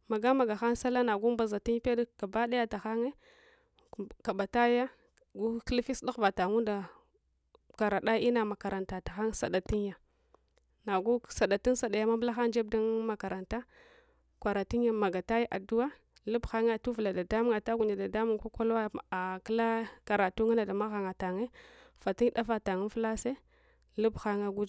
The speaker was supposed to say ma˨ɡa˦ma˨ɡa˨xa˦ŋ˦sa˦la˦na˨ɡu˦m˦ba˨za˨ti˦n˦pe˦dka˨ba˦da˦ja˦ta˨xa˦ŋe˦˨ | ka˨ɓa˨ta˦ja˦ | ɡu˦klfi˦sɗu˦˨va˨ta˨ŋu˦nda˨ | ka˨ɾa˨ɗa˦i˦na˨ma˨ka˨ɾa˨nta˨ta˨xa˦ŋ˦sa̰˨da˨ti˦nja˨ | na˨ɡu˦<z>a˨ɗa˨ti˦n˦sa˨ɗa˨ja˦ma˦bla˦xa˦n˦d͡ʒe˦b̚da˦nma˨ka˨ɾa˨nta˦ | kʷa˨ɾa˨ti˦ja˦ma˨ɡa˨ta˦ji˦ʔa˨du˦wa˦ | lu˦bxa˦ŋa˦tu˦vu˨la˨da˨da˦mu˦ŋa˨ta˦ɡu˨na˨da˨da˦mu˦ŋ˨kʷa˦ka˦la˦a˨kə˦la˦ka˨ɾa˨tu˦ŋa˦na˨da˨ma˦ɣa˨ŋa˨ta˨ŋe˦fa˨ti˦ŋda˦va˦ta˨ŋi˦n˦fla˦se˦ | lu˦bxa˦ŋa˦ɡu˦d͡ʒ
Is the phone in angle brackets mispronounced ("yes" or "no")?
yes